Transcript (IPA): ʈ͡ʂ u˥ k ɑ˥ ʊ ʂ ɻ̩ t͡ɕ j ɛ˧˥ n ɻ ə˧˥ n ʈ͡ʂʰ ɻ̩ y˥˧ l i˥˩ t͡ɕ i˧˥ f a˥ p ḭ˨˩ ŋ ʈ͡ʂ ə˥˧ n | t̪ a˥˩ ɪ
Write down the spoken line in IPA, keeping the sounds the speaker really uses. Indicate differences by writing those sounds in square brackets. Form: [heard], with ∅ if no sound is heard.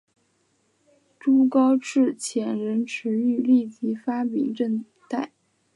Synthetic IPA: ʈ͡ʂ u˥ k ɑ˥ ʊ [ʈ͡ʂ] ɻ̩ [t͡ɕʰ] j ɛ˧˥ n ɻ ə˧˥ n ʈ͡ʂʰ ɻ̩ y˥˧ l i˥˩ t͡ɕ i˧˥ f a˥ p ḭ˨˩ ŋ ʈ͡ʂ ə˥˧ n | t̪ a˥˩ ɪ